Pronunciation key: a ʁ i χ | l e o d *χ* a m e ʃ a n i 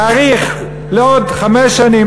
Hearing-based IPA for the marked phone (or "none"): χ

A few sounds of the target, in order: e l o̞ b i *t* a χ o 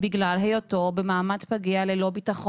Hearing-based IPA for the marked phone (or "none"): t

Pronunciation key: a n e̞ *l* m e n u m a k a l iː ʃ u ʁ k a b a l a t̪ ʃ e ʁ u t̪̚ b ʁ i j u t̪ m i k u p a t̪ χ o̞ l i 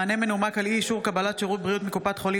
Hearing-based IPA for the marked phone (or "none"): none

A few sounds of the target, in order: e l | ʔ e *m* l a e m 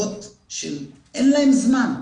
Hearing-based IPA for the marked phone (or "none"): n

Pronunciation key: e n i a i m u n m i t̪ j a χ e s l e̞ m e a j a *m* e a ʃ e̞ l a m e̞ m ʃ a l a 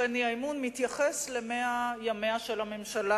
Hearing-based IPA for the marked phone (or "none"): m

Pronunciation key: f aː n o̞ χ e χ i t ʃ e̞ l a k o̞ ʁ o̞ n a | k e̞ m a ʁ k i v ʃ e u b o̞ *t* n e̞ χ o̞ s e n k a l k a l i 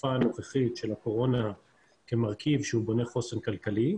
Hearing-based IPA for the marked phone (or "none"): none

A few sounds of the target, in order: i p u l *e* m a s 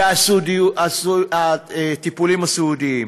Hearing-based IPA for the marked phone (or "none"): i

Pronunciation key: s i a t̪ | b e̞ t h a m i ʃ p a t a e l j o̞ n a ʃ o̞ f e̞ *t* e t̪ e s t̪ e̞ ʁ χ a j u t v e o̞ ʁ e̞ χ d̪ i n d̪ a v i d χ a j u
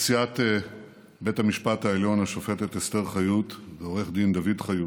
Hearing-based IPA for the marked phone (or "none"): t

